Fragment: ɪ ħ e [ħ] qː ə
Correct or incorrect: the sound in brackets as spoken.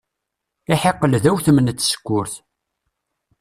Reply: incorrect: none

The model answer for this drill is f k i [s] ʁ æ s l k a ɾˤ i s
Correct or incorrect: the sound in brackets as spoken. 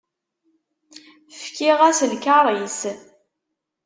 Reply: incorrect: none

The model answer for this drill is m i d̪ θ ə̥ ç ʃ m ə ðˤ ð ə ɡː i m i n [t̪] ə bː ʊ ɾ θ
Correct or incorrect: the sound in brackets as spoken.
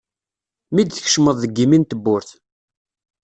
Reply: correct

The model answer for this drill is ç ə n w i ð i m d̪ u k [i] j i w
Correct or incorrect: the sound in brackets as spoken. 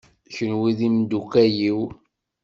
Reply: incorrect: æ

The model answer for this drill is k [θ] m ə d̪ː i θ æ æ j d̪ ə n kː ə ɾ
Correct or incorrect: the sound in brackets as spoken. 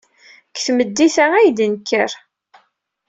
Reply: correct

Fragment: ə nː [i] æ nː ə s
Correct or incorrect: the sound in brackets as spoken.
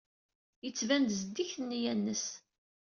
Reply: incorrect: j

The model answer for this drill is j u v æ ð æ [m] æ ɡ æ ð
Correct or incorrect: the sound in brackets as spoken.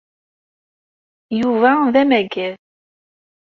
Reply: correct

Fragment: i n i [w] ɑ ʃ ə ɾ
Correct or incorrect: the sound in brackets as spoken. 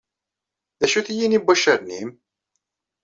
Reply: incorrect: b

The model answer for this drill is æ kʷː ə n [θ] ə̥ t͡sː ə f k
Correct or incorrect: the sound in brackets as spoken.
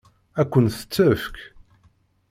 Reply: correct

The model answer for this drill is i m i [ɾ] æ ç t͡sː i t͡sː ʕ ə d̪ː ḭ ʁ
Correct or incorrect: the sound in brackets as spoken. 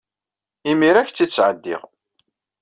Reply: correct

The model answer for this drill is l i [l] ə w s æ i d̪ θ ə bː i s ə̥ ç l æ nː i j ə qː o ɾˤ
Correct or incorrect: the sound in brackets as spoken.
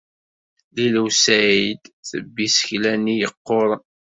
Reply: correct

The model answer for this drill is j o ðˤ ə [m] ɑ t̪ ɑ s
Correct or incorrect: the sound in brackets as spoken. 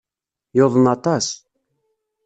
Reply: incorrect: n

